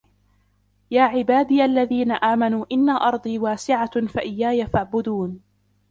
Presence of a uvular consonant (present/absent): absent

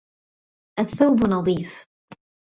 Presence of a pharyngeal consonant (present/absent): absent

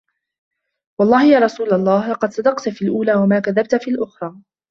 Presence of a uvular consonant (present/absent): present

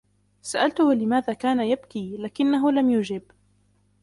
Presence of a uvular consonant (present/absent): absent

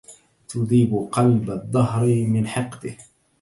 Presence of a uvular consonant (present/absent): present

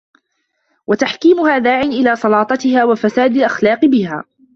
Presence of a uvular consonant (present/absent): present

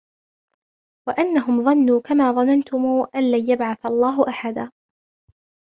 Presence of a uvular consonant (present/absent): absent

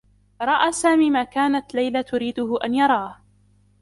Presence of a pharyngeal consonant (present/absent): absent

